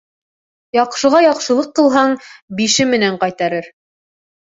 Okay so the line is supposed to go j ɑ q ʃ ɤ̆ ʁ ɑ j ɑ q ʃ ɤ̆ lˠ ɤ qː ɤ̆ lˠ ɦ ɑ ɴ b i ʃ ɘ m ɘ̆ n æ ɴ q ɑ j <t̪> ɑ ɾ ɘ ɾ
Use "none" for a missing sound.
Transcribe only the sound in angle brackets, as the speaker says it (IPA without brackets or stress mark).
t̪